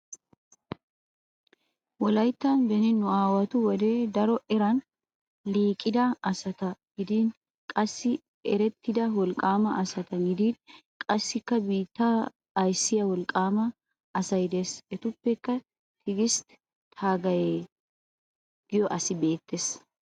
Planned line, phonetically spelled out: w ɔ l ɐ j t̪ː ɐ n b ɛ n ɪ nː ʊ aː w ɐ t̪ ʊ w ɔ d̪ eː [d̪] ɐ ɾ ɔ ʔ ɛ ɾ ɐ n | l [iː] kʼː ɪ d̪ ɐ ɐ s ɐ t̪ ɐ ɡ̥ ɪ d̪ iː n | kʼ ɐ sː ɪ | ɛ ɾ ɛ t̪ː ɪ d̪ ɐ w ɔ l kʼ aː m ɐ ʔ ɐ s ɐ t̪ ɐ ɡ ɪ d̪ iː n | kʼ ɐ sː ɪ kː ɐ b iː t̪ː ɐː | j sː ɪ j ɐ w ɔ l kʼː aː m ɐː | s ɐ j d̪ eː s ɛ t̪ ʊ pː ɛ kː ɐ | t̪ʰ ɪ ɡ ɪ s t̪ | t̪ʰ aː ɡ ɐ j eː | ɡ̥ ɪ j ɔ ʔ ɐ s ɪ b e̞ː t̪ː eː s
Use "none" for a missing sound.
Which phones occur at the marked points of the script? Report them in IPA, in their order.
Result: d̪, iː

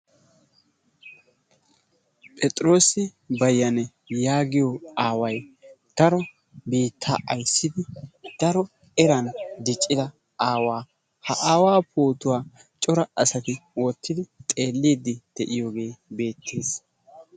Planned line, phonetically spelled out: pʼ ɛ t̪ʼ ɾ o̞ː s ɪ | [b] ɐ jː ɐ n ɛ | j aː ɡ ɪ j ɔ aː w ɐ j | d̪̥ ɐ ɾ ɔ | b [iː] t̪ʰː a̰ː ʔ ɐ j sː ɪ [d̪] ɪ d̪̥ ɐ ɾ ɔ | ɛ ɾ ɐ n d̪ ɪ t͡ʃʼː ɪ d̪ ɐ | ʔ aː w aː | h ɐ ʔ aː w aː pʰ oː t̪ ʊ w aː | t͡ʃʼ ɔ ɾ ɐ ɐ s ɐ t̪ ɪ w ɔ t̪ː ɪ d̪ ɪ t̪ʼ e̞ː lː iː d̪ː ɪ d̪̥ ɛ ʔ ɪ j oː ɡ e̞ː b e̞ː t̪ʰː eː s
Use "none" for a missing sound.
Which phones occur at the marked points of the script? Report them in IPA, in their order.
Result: b, iː, d̪

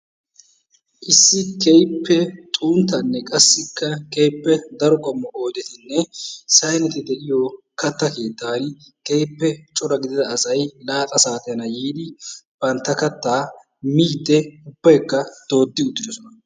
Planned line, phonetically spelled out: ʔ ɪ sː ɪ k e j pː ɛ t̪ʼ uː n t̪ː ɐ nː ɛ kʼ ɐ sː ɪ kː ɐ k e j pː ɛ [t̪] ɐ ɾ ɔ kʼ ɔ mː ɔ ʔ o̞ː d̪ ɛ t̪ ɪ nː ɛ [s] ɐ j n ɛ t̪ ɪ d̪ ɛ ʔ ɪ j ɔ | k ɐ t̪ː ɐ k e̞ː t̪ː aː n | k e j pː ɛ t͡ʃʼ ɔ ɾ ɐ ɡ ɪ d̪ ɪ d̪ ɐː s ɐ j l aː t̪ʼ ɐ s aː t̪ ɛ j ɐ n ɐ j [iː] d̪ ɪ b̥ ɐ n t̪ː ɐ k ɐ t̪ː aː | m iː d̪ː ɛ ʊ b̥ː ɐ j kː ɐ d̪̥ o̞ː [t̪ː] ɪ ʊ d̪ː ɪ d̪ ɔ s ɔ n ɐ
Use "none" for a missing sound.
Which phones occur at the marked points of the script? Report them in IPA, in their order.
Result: d̪, s, iː, d̪ː

